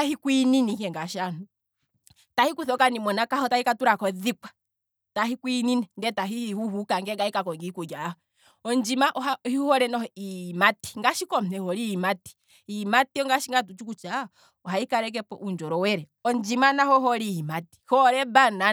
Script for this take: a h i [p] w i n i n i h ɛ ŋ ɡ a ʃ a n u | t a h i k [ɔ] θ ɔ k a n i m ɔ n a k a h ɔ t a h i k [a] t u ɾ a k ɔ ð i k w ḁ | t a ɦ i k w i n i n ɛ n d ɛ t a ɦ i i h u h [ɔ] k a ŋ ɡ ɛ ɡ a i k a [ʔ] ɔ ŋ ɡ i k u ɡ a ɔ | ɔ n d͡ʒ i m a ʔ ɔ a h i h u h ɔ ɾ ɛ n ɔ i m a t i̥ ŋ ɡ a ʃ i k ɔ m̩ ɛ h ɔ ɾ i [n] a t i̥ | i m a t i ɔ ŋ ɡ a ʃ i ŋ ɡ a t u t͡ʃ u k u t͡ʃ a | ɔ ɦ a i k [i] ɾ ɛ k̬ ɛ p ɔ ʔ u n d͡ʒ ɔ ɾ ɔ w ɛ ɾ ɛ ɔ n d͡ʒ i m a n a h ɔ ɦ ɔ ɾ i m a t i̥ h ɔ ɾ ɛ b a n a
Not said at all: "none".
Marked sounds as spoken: k, u, a, u, k, m, a

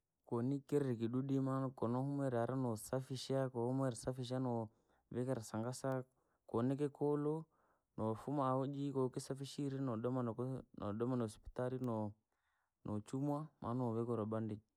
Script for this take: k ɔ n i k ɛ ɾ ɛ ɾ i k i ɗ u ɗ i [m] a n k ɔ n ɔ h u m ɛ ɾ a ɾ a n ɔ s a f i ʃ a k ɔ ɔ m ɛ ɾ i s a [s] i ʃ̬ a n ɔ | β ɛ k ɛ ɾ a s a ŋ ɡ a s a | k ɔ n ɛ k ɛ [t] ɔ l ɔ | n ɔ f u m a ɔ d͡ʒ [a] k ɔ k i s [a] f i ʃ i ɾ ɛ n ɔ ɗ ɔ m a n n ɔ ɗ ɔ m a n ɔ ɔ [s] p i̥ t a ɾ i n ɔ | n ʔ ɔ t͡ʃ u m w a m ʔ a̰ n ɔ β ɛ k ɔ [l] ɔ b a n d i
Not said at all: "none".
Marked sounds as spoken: m, f, k, i, a, s, ɾ

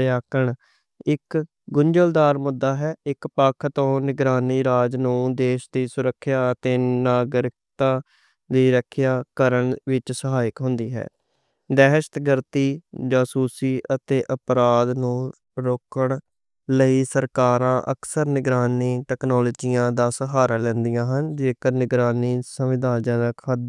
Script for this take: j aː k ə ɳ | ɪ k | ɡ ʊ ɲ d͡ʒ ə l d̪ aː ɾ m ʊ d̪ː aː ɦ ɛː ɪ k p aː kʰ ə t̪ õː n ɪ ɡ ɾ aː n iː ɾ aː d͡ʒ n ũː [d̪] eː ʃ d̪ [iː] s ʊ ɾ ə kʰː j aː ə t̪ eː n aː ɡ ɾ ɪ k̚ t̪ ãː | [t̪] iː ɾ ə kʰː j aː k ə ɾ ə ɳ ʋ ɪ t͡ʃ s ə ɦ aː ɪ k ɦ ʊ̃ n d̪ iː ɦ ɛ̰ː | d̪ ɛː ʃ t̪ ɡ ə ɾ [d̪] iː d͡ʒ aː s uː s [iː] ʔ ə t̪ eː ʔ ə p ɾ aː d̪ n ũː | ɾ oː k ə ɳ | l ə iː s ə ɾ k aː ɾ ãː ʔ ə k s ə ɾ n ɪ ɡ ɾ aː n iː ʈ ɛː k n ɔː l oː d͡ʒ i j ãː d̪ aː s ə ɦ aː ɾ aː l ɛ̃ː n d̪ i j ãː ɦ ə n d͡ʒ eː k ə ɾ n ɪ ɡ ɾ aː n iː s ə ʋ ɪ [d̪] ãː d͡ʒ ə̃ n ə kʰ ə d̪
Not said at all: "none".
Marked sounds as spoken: d̪, iː, d̪, t̪, iː, d̪

